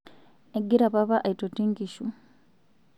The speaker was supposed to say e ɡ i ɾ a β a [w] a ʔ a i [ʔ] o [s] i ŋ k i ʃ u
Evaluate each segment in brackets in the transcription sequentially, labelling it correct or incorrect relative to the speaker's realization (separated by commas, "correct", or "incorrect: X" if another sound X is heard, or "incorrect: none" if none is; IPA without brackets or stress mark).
incorrect: β, incorrect: t, incorrect: t